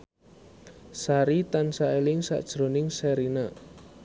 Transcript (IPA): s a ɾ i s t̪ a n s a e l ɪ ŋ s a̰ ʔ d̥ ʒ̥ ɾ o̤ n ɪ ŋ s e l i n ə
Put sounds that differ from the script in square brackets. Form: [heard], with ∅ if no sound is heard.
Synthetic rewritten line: s a ɾ i [∅] t̪ a n s a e l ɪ ŋ s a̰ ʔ d̥ ʒ̥ ɾ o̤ n ɪ ŋ s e [ɾ] i n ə